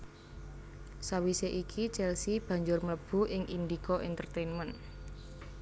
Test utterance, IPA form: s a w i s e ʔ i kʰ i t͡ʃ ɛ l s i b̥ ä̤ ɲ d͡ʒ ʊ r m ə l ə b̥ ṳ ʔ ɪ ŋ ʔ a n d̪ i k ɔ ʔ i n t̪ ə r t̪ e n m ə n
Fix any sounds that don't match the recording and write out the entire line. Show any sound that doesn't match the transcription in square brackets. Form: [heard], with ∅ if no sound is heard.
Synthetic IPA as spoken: s a w i s e ʔ i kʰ i t͡ʃ ɛ l s i b̥ ä̤ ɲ d͡ʒ ʊ r m ə l ə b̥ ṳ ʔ ɪ ŋ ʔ [i] n d̪ i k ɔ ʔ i n t̪ ə r t̪ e n m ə n